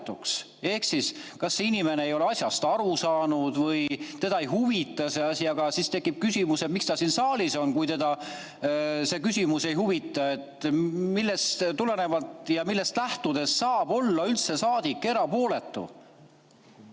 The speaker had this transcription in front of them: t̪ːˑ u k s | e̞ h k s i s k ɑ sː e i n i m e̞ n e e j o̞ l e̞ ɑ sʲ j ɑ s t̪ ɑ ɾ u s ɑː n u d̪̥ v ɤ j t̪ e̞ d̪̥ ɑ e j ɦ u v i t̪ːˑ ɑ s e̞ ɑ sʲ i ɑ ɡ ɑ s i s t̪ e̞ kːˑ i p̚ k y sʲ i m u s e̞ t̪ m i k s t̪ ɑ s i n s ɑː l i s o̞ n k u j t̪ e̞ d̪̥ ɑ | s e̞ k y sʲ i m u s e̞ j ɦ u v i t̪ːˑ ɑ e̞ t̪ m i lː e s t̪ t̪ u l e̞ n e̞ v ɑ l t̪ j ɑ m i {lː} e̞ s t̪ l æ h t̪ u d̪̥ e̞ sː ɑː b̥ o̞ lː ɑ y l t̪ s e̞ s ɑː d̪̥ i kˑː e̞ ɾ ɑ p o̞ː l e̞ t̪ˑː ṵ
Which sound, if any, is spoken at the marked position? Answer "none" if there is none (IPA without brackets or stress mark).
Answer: lː